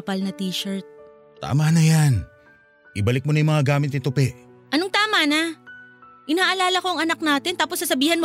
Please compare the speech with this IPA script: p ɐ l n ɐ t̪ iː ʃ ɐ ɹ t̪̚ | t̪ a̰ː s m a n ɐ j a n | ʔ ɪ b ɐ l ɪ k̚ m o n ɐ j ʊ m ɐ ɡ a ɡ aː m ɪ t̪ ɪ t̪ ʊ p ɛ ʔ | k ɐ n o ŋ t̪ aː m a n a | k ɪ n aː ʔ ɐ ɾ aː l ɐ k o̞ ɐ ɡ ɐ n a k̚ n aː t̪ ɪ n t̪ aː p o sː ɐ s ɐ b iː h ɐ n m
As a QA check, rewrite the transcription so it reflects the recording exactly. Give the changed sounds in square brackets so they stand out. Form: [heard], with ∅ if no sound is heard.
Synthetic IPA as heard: p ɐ l n ɐ t̪ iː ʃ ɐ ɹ t̪̚ | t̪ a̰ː [∅] m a n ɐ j a n | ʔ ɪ b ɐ l ɪ k̚ m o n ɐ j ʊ m ɐ [ŋ] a ɡ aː m ɪ t̪ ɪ t̪ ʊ p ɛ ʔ | [ʔ] ɐ n o ŋ t̪ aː m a n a | [ʔ] ɪ n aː ʔ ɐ [l] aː l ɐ k o̞ ɐ [ŋ] ɐ n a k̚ n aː t̪ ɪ n t̪ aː p o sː ɐ s ɐ b iː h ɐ n m